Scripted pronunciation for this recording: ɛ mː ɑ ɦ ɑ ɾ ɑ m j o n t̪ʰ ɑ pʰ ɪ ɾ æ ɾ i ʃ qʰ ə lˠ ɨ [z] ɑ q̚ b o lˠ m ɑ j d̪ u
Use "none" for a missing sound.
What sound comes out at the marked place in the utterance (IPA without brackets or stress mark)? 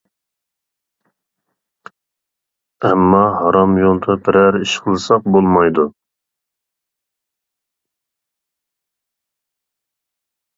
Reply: s